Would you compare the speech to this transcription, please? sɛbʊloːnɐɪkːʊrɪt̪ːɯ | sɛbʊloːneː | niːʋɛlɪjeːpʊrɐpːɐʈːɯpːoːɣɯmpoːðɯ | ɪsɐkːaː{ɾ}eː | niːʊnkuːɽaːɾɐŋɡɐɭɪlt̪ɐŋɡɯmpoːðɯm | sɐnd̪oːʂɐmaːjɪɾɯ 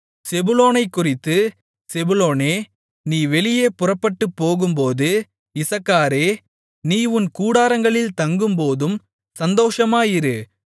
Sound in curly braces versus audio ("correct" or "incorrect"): correct